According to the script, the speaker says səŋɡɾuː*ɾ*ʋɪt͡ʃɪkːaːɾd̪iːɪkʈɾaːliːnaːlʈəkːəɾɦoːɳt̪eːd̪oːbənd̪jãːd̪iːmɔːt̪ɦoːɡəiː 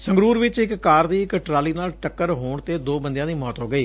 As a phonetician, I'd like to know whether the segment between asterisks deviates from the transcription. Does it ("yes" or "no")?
no